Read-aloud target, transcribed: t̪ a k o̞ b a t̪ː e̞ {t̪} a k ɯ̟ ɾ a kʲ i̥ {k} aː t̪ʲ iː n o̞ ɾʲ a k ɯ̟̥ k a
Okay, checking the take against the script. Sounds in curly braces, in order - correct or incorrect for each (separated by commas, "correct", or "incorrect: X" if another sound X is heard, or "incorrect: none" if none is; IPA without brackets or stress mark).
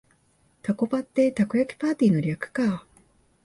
correct, incorrect: p